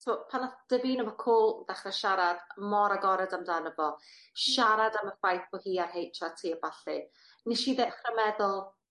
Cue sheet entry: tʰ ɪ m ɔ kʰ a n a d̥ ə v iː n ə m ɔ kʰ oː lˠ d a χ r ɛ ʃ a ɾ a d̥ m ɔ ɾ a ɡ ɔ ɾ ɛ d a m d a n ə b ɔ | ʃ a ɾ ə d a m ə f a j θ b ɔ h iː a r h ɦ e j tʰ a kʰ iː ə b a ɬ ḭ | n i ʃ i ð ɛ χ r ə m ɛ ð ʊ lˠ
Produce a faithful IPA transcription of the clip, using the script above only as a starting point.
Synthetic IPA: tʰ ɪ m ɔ pʰ a n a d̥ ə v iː n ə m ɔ kʰ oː lˠ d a χ r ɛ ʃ a ɾ a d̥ m ɔ ɾ a ɡ ɔ ɾ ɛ d a m d a n ə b ɔ | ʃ a ɾ a d a m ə f a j θ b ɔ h iː a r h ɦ e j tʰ a tʰ iː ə b a ɬ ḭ | n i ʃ i ð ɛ χ r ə m ɛ ð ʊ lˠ